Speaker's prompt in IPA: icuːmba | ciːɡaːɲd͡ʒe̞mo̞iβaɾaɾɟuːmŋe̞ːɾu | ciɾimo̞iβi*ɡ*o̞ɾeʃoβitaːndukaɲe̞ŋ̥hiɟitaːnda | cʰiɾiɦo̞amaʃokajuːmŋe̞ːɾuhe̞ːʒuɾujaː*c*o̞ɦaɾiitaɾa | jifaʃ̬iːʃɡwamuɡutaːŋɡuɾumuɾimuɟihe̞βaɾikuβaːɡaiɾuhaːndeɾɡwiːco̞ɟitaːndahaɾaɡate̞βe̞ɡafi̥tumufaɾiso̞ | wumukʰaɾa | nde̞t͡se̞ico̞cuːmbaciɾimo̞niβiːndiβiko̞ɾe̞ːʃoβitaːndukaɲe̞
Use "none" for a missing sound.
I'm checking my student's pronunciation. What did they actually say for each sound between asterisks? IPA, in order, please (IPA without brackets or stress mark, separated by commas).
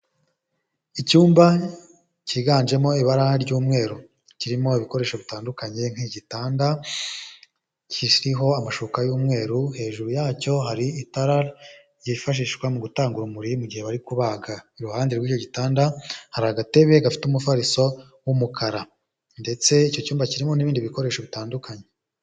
k, c